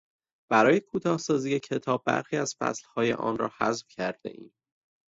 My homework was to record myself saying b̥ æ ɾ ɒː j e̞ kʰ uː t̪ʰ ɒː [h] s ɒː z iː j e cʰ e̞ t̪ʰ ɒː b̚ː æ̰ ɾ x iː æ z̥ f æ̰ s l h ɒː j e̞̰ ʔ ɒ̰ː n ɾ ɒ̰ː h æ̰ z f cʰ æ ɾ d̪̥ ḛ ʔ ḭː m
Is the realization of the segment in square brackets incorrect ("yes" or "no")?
no